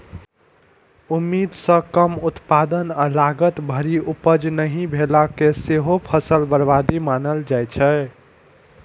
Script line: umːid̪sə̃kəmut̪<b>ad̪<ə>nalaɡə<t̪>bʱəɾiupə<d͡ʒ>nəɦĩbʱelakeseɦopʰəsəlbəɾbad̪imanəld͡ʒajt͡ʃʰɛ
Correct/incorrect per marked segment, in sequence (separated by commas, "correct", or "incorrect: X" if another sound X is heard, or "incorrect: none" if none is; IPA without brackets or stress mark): incorrect: p, correct, correct, correct